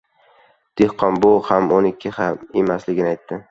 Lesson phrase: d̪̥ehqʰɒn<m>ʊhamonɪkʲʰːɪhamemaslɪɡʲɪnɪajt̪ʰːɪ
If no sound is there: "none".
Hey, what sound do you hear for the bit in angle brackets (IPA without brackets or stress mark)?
b